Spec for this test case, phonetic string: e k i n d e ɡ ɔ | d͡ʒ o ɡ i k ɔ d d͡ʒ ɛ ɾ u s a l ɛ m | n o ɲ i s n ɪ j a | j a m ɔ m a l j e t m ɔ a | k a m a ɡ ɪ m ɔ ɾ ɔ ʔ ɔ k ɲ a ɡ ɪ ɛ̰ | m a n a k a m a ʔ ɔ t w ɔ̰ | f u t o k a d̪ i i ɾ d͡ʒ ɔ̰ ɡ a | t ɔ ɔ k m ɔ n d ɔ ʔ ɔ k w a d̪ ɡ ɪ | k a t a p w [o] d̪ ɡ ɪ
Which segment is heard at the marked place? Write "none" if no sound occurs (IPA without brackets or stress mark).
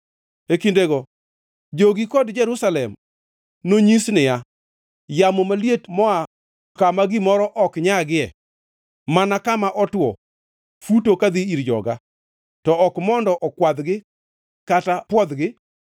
ɔ